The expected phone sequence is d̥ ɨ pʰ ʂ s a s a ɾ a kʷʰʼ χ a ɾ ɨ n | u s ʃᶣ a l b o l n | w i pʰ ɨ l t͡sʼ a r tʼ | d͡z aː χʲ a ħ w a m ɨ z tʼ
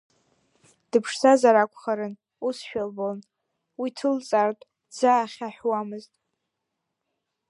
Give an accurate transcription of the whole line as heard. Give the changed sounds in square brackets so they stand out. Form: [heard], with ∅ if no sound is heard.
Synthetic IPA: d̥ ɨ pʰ ʂ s a [z] a ɾ a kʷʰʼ χ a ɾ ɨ n | u s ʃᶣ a l b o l n | w i [tʰ] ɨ l t͡sʼ a r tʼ | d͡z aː χʲ a ħ w a m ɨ z tʼ